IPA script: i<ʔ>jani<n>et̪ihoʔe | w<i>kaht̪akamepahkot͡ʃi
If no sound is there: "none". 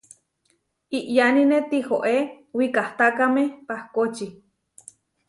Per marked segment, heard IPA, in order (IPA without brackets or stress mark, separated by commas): ʔ, n, i